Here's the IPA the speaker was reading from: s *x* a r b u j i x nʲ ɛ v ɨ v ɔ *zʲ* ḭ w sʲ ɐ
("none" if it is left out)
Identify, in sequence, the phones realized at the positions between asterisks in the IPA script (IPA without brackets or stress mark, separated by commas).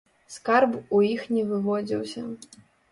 k, d͡zʲ